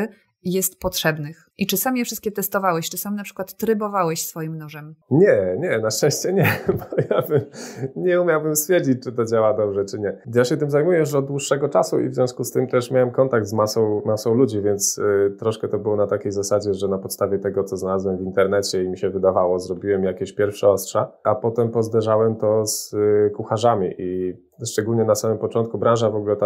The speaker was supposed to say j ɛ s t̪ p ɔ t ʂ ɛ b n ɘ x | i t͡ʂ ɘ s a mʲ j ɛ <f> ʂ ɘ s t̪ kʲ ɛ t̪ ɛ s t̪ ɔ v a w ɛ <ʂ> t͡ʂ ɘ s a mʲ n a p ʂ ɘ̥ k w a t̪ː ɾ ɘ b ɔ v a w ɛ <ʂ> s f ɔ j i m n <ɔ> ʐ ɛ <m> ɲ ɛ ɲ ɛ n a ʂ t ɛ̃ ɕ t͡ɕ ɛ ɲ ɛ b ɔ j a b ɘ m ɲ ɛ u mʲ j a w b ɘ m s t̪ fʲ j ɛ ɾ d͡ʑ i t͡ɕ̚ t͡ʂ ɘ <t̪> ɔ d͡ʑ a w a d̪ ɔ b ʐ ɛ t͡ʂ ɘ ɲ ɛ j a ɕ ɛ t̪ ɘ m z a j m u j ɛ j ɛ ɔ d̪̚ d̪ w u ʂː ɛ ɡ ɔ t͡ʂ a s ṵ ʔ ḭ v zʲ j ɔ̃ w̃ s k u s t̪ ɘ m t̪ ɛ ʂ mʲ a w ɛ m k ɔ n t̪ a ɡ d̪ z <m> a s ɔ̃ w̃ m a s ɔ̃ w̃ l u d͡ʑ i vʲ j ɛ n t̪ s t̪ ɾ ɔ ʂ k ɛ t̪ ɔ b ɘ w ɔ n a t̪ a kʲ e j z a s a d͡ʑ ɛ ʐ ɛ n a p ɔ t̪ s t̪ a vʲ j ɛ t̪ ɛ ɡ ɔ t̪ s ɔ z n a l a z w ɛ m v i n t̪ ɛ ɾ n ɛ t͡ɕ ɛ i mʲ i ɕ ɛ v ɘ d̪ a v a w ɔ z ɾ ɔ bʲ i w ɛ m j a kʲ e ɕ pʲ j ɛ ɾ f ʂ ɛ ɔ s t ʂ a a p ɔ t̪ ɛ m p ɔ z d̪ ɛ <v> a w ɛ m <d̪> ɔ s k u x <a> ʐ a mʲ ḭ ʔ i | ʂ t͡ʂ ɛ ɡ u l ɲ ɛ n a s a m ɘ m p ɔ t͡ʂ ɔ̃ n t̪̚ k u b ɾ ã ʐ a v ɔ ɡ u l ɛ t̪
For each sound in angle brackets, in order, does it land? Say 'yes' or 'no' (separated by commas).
yes, no, no, no, yes, yes, yes, no, no, yes